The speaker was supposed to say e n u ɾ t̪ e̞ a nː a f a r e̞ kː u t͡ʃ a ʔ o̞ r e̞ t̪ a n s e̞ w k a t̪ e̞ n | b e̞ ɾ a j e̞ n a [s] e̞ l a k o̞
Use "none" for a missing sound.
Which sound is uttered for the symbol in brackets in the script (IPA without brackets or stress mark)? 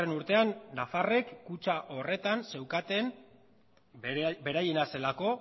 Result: s